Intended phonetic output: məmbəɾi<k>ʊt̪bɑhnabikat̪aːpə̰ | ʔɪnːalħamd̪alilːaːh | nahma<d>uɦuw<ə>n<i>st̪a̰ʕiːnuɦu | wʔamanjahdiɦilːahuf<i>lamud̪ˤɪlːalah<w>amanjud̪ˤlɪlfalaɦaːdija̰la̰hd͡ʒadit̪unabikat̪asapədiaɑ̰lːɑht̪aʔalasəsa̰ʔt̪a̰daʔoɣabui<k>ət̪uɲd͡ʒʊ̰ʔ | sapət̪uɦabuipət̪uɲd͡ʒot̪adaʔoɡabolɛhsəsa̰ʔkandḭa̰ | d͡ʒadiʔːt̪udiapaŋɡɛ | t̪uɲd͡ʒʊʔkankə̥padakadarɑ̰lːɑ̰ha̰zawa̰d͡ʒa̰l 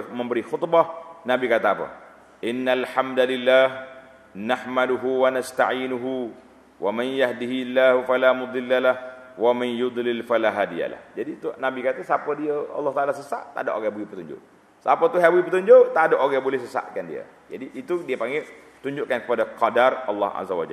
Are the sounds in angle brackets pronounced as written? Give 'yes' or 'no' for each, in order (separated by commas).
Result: no, yes, no, no, no, yes, no